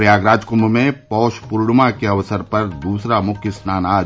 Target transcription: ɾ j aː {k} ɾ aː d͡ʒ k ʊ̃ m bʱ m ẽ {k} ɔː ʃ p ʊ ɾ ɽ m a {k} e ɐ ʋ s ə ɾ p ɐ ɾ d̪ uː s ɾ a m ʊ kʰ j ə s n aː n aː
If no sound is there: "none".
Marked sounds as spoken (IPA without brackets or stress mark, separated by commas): ɡ, p, k